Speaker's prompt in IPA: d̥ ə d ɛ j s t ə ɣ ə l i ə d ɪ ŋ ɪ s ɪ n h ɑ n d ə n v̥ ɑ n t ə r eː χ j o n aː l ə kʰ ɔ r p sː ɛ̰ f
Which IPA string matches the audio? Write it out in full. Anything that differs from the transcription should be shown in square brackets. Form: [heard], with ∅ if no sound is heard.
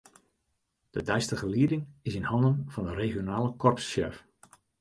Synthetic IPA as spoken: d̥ ə d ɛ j s t ə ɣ ə l i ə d ɪ ŋ ɪ s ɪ n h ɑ n d ə n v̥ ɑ n [d] ə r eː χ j o n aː l ə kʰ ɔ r p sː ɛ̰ f